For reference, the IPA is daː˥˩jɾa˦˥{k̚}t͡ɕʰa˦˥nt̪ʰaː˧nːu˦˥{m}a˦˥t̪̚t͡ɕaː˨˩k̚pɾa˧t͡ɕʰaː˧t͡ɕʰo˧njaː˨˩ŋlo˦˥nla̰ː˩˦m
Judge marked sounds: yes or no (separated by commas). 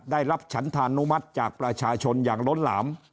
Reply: no, yes